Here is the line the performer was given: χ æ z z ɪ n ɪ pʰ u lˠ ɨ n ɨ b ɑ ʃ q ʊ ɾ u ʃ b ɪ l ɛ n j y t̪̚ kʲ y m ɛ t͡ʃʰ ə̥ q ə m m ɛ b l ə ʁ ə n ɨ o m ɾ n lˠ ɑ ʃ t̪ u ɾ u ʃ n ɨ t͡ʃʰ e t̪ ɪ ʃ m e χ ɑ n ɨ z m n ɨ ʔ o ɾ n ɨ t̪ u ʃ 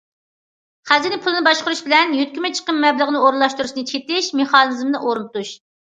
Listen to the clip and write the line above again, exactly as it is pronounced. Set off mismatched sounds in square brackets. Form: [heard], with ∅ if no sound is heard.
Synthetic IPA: χ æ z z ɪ n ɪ pʰ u lˠ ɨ n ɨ b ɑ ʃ q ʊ ɾ u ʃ b ɪ l ɛ n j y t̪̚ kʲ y m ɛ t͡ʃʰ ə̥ q ə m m ɛ b l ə ʁ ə n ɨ o [∅] ɾ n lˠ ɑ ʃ t̪ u ɾ u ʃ n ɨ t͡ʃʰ e t̪ ɪ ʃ m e χ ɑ n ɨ z m n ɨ ʔ o ɾ n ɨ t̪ u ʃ